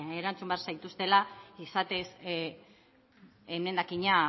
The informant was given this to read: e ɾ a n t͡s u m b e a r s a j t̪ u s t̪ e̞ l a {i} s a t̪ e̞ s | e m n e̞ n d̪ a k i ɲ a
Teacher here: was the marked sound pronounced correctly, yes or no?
yes